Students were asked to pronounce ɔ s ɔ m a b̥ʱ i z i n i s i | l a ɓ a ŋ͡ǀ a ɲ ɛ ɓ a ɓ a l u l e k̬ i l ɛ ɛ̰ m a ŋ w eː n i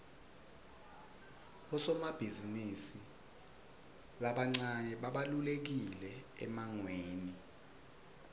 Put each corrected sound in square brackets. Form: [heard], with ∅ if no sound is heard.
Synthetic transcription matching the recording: ɔ s ɔ m a b̥ʱ i z i n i s i | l a ɓ a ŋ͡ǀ a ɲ ɛ ɓ a ɓ a l u l e k̬ i l ɛ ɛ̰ m a ŋ w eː n i